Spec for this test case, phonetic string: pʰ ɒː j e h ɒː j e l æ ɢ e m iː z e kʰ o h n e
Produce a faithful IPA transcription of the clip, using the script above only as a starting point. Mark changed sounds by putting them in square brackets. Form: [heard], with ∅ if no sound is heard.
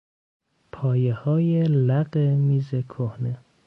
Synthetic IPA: pʰ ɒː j e h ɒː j e l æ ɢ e m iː z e kʰ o h n e

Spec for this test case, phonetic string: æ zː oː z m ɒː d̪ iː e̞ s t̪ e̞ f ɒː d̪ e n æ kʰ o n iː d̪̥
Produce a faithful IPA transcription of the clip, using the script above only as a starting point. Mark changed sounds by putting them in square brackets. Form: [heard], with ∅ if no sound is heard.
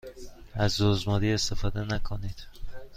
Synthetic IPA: æ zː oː z m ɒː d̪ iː e̞ s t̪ e̞ f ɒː d̪ e n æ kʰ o n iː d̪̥

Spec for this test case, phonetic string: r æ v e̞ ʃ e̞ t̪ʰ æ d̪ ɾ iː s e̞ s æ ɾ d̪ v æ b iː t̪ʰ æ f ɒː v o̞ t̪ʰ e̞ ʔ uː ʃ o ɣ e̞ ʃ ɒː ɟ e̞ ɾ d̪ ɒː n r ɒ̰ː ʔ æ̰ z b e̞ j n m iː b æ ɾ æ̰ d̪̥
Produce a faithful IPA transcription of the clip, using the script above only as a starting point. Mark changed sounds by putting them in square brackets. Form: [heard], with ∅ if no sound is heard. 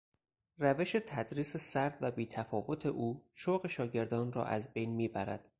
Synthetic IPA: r æ v e̞ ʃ e̞ t̪ʰ æ d̪ ɾ iː s e̞ s æ ɾ d̪ v æ b iː t̪ʰ æ f ɒː v o̞ t̪ʰ e̞ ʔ uː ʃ o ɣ e̞ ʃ ɒː ɟ e̞ ɾ d̪ ɒː n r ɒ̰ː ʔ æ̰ z b e̞ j n m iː b æ ɾ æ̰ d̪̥

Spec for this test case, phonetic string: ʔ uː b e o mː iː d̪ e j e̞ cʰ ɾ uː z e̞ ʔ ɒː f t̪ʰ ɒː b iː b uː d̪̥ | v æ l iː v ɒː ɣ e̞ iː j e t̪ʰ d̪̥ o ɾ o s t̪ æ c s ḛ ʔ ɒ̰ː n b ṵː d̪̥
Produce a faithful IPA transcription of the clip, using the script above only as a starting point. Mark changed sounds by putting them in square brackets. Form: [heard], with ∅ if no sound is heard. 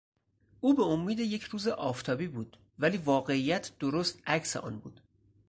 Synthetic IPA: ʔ uː b e o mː iː d̪ e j e̞ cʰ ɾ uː z e̞ ʔ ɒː f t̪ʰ ɒː b iː b uː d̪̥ | v æ l iː v ɒː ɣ e̞ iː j [æ] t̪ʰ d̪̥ o ɾ o s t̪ æ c s ḛ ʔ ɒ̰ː n b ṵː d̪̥

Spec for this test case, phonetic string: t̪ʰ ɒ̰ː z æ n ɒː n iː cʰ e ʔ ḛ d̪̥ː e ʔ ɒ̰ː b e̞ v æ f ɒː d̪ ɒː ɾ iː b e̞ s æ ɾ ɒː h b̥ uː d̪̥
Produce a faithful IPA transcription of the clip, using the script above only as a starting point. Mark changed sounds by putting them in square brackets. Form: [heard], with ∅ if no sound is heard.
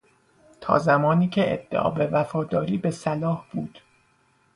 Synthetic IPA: t̪ʰ ɒ̰ː z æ [m] ɒː n iː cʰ e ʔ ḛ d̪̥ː e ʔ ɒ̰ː b e̞ v æ f ɒː d̪ ɒː ɾ iː b e̞ s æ [l] ɒː h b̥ uː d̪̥

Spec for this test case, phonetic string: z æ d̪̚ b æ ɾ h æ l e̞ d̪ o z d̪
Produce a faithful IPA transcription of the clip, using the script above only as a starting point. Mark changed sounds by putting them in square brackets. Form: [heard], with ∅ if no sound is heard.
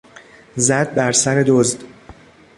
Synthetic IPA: z æ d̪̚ b æ ɾ [s] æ [ɾ] e̞ d̪ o z d̪

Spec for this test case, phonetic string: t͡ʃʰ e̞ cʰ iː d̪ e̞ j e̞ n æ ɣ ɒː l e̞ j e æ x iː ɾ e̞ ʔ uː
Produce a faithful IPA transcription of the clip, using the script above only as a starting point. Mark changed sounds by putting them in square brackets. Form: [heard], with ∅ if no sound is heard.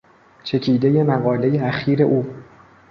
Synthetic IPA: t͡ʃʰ e̞ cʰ iː d̪ e̞ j e̞ [m] æ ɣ ɒː l e̞ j e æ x iː ɾ e̞ ʔ uː

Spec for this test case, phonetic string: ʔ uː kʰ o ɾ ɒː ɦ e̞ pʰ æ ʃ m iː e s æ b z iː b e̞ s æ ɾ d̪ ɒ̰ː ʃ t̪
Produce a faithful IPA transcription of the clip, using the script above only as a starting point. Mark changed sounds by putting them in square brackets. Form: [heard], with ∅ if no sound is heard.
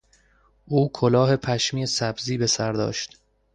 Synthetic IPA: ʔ uː kʰ o [l] ɒː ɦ e̞ pʰ æ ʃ m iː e s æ b z iː b e̞ s æ ɾ d̪ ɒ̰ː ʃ t̪

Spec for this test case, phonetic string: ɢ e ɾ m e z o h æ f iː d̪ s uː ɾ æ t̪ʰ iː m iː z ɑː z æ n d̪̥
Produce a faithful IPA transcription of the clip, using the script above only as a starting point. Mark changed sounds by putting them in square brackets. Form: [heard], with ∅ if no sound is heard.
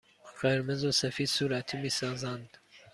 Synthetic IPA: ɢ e ɾ m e z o [s] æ f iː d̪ s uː ɾ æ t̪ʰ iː m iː [s] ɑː z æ n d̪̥

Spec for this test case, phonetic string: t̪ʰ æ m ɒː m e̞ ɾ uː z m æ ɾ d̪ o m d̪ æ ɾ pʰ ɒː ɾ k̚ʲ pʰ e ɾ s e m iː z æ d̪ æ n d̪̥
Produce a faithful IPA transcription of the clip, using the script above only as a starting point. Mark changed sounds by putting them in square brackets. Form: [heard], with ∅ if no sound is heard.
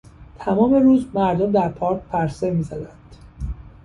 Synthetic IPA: t̪ʰ æ m ɒː m e̞ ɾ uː z m æ ɾ d̪ o m d̪ æ ɾ pʰ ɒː ɾ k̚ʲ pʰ [æ] ɾ s e m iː z æ d̪ æ n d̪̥

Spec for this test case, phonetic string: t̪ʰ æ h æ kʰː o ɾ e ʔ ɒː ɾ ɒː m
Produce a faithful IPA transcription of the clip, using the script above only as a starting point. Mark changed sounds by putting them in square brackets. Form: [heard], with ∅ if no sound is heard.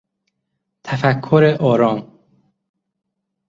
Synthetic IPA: t̪ʰ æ [f] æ kʰː o ɾ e ʔ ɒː ɾ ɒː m

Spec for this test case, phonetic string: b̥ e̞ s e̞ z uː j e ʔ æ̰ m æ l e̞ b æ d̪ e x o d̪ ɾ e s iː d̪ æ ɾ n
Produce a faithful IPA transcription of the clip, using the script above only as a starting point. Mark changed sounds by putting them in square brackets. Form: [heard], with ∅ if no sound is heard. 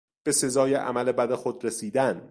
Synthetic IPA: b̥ e̞ s e̞ z [ɒː] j e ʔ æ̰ m æ l e̞ b æ d̪ e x o d̪ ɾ e s iː d̪ æ [∅] n

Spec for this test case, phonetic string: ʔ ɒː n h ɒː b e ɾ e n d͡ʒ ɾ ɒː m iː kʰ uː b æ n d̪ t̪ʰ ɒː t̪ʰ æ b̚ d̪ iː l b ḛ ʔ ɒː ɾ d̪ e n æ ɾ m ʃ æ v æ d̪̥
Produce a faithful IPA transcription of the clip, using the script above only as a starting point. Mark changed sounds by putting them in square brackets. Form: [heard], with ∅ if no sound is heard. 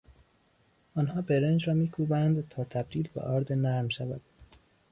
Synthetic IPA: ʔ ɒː n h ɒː b e ɾ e n d͡ʒ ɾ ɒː m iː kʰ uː b æ n d̪ t̪ʰ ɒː t̪ʰ æ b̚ d̪ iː l b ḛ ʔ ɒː ɾ d̪ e n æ ɾ m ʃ æ v æ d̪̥

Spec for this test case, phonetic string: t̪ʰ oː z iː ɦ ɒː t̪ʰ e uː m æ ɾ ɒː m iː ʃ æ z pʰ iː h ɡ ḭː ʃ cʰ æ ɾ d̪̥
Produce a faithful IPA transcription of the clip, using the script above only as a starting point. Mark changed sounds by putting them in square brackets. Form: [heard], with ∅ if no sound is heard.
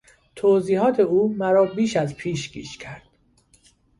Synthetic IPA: t̪ʰ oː z iː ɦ ɒː t̪ʰ e uː m æ ɾ ɒː [b] iː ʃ æ z pʰ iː [ʃ] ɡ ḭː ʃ cʰ æ ɾ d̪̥

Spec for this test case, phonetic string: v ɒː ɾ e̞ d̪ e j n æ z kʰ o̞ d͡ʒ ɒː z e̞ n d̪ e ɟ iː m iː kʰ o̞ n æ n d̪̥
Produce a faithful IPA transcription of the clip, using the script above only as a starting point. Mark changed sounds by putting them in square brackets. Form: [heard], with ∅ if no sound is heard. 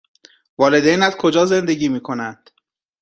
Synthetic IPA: v ɒː [l] e̞ d̪ e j n æ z kʰ o̞ d͡ʒ ɒː z e̞ n d̪ e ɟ iː m iː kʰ o̞ n æ n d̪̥

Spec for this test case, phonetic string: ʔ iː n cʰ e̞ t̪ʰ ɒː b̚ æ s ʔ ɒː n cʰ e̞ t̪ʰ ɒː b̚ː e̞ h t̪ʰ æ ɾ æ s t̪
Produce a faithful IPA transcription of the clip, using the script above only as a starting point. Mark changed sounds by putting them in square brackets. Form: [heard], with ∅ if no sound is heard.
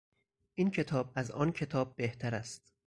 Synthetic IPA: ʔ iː n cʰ e̞ t̪ʰ ɒː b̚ æ [z] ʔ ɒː n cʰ e̞ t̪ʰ ɒː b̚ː e̞ h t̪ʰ æ ɾ æ s t̪

